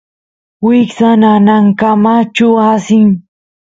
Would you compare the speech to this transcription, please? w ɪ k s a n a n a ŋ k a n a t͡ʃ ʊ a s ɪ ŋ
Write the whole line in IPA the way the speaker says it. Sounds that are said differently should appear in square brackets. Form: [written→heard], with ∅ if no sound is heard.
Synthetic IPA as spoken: w ɪ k s a n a n a ŋ k a [n→m] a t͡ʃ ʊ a s ɪ ŋ